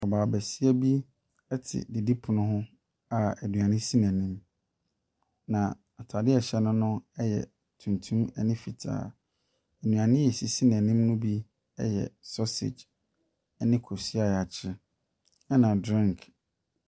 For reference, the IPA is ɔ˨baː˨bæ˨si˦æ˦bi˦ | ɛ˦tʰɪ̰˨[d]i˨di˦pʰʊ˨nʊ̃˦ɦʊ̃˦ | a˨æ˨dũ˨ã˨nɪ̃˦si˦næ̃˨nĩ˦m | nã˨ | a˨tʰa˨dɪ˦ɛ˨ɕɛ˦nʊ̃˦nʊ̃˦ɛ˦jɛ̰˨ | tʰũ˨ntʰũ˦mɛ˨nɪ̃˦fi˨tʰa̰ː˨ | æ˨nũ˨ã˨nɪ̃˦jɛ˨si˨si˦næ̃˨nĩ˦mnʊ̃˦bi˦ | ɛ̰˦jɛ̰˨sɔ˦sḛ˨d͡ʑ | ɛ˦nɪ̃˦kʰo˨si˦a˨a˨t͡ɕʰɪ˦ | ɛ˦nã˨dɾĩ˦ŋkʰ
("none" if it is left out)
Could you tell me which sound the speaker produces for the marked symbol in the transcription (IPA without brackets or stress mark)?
d